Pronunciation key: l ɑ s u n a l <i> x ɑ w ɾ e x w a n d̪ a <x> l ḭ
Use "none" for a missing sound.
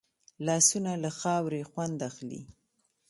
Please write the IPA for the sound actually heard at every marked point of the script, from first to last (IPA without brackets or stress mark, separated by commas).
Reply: a, x